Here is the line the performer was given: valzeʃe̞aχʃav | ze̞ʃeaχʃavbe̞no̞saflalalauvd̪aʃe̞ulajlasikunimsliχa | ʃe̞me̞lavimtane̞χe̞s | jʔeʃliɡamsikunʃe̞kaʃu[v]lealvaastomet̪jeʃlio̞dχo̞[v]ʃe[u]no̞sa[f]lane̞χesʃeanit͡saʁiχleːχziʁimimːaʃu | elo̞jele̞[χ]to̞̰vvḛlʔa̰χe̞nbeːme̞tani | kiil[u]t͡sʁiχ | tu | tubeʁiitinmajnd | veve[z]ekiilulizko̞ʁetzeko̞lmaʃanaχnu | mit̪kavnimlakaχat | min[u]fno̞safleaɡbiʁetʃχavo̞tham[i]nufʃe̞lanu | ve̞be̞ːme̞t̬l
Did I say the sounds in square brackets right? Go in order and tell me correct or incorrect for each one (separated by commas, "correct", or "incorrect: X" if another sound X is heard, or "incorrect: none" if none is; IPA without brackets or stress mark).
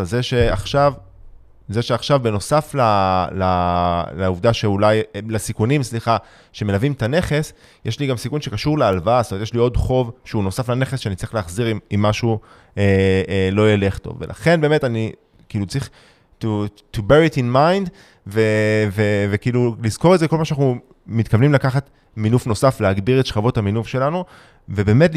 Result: incorrect: ʁ, correct, correct, correct, correct, correct, incorrect: v, correct, correct